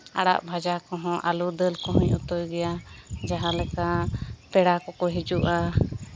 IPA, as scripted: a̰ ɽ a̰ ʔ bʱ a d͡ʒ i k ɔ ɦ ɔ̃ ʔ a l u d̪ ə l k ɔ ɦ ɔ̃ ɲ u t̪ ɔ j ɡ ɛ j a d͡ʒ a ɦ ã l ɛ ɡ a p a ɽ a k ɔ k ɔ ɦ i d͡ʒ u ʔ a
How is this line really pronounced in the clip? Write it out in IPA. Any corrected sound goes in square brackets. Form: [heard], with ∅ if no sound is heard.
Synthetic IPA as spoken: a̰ ɽ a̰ ʔ bʱ a d͡ʒ [a] k ɔ ɦ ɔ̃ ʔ a l u d̪ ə l k ɔ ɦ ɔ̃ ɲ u t̪ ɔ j ɡ ɛ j a d͡ʒ a ɦ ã l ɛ [k] a p [ɛ] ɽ a k ɔ k ɔ ɦ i d͡ʒ u ʔ a